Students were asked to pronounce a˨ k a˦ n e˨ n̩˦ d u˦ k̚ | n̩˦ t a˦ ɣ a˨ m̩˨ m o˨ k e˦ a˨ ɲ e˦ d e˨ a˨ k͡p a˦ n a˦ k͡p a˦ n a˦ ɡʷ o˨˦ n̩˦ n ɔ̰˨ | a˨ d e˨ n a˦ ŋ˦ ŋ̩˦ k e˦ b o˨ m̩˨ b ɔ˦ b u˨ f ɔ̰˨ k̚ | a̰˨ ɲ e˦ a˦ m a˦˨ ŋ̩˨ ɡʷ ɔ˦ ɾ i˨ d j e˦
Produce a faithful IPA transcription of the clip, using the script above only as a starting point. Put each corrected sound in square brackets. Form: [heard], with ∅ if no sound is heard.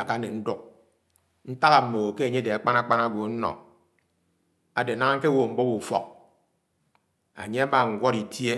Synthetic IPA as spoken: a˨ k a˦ n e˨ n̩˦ d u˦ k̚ | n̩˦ t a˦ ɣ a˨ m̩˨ m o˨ k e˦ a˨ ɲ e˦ d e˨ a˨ k͡p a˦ n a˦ k͡p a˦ n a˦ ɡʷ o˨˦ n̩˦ n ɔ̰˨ | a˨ d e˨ n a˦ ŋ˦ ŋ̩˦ k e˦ [w] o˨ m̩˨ b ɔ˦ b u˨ f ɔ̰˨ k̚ | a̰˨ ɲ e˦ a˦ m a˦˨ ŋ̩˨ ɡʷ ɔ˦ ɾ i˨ [t] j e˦